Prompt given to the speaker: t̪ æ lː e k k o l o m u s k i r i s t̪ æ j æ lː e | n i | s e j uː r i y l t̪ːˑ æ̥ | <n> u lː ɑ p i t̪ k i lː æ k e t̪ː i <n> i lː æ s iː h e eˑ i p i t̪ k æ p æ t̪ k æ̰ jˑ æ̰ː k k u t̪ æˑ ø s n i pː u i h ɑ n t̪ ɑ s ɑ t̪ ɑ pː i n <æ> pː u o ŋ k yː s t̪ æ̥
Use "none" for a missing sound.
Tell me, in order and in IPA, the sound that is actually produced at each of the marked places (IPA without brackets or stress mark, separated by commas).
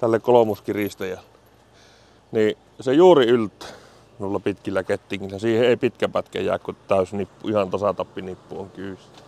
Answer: n, ŋ, i